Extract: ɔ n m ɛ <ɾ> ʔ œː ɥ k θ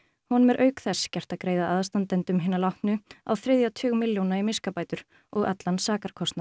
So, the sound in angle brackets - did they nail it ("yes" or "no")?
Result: yes